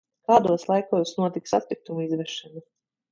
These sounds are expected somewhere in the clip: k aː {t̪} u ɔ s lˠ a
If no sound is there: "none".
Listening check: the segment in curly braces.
d̪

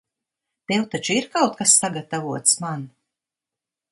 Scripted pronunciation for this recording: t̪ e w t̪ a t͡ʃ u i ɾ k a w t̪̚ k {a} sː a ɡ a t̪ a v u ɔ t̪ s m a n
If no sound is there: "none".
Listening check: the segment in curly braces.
a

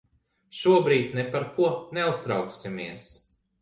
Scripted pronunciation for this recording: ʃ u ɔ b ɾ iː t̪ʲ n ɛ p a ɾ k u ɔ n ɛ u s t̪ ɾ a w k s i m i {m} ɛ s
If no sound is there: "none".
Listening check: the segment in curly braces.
none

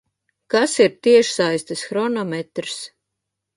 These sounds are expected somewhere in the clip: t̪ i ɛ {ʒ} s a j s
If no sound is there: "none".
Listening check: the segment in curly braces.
ʃ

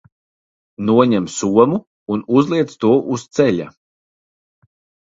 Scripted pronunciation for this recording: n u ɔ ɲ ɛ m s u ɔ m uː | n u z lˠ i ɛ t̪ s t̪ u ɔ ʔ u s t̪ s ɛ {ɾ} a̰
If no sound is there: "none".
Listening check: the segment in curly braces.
ʎ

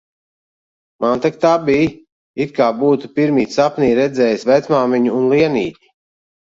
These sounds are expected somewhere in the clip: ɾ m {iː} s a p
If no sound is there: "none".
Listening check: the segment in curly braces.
iː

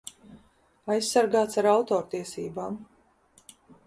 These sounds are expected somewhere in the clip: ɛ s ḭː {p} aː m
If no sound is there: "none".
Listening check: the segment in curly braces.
b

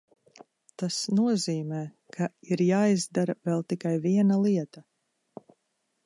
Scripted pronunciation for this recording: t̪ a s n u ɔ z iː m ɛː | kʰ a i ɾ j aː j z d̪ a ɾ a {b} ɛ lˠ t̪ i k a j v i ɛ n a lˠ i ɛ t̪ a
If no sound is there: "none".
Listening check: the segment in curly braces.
v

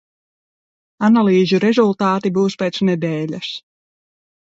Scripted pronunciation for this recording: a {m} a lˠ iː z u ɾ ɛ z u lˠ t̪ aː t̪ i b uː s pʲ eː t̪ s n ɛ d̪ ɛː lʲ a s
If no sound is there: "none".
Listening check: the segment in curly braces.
n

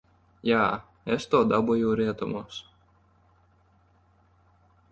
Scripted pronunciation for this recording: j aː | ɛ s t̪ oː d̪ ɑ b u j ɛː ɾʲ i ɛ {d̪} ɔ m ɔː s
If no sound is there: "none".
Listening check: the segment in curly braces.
t̪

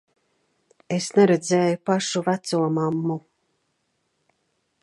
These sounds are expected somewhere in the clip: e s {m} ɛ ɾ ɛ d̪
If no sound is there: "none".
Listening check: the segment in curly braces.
n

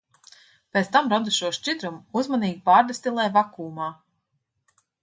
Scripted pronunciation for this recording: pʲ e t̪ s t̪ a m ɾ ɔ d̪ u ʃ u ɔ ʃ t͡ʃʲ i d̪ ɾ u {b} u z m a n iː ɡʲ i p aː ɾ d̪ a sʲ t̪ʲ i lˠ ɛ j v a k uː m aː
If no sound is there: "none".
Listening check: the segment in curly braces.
m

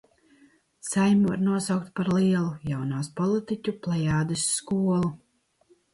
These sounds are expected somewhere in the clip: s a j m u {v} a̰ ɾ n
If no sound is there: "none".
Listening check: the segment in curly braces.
v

